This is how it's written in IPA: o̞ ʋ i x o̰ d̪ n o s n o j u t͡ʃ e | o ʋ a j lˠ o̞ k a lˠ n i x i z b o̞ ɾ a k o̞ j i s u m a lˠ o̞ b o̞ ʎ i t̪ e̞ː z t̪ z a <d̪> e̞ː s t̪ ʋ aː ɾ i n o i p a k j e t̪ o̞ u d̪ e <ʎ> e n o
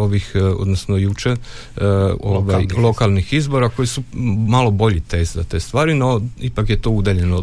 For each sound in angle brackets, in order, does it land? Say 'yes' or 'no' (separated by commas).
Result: no, yes